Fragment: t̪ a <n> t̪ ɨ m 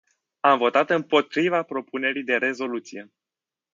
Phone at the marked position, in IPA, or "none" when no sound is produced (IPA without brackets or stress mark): none